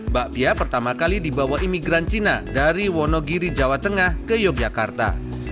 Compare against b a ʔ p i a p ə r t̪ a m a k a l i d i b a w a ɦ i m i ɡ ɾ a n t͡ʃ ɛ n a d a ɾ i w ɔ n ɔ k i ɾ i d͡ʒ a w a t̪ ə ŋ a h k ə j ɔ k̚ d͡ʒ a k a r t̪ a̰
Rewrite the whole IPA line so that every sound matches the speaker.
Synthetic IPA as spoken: b a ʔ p i a p ə r t̪ a m a k a l i d i b a w a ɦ i m i ɡ ɾ a n t͡ʃ i n a d a ɾ i w ɔ n ɔ ɡ i ɾ i d͡ʒ a w a t̪ ə ŋ a h k ə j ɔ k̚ d͡ʒ a k a r t̪ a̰